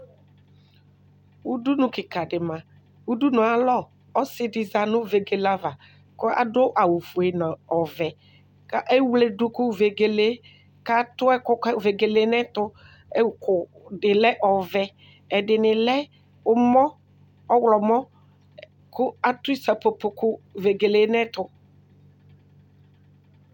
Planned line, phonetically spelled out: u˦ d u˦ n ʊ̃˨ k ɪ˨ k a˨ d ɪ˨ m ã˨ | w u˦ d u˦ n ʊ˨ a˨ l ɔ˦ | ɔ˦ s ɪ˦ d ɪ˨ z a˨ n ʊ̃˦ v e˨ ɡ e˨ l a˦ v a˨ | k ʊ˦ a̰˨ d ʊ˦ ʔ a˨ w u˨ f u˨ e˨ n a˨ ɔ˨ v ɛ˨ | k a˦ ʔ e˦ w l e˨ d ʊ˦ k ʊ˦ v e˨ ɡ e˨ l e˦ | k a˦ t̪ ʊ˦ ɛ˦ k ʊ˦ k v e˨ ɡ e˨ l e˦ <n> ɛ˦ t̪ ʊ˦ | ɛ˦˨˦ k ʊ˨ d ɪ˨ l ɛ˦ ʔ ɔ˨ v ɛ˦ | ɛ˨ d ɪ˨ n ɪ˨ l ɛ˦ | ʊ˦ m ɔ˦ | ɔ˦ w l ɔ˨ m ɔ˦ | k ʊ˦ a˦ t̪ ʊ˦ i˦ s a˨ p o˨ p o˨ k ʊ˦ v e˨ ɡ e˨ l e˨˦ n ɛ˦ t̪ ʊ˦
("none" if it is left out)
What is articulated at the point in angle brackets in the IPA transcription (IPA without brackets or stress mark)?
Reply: n